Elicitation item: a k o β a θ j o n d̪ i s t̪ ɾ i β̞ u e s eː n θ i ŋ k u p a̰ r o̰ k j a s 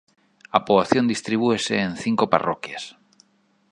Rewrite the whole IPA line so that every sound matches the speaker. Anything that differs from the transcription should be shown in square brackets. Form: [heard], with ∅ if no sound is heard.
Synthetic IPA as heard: a [p] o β a θ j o n d̪ i s t̪ ɾ i β̞ u e s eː n θ i ŋ k [o] p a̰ r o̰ k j a s